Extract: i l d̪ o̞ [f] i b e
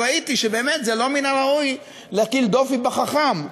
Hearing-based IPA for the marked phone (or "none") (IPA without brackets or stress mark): f